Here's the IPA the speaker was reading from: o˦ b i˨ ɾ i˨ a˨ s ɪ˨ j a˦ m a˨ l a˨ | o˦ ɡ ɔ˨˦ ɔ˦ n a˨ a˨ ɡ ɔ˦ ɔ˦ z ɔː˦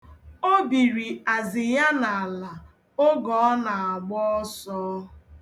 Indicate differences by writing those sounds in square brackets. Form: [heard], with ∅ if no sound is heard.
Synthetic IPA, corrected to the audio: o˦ b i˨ ɾ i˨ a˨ [z] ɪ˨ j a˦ [n] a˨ l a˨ | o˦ ɡ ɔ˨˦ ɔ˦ n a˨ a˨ [ɡ͡b] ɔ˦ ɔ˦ [s] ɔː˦